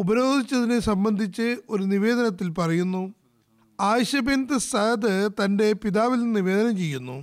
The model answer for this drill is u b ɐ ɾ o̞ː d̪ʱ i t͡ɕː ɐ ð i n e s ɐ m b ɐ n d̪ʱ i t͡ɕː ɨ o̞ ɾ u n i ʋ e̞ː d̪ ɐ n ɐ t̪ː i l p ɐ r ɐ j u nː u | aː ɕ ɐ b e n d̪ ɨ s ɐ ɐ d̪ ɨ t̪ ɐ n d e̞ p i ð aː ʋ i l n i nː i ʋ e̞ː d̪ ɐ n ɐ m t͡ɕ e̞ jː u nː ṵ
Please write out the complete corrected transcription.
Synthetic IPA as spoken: u b ɐ ɾ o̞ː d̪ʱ i t͡ɕː ɐ ð i n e s ɐ m b ɐ n d̪ʱ i t͡ɕː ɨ o̞ ɾ u n i ʋ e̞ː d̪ ɐ n ɐ t̪ː i l p ɐ r ɐ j u nː u | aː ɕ ɐ b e n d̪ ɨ s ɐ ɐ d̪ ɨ t̪ ɐ n d e̞ p i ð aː ʋ i l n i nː i ʋ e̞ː d̪ ɐ n ɐ m t͡ɕ e̞ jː u nː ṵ